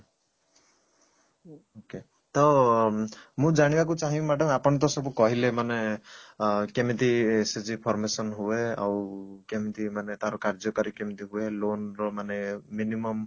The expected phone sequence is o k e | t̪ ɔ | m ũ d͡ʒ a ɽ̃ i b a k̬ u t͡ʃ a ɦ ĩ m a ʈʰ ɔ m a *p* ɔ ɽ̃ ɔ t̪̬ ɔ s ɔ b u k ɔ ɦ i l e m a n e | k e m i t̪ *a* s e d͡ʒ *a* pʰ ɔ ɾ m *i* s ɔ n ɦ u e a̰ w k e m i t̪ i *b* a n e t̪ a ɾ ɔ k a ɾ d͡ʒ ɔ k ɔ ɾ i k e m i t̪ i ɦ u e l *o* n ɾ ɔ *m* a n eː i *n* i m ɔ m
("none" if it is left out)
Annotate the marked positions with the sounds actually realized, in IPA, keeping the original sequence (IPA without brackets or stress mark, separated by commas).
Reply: p, i, i, e, m, o, m, n